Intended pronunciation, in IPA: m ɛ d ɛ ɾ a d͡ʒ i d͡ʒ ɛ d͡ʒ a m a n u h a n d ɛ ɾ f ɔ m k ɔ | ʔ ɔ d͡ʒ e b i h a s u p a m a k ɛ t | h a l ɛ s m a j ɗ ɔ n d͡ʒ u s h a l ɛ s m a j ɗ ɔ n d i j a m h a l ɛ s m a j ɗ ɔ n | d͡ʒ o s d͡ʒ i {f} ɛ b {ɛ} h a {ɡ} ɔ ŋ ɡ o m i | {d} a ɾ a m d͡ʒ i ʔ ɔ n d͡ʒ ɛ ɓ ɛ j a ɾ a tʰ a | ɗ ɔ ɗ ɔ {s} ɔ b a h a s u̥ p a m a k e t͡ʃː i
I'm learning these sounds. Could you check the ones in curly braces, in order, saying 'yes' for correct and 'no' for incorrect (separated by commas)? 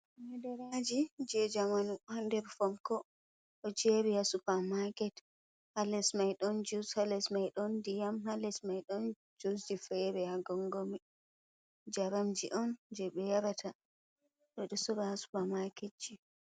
yes, yes, yes, no, yes